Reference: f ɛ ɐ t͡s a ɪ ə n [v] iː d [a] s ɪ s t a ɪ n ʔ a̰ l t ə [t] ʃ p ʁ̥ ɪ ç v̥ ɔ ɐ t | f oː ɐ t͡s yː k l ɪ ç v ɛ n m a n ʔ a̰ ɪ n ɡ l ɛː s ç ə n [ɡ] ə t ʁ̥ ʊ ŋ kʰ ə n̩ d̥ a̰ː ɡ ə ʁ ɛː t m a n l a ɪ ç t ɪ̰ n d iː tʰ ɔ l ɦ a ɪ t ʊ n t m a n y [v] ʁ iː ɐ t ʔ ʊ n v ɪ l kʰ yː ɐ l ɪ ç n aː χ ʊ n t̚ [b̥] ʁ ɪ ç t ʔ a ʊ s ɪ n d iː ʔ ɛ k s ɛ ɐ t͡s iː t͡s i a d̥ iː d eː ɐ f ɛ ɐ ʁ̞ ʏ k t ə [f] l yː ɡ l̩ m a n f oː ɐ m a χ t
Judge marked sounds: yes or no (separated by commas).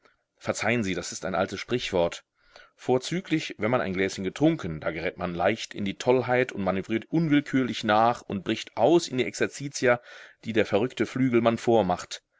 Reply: no, yes, no, yes, yes, yes, yes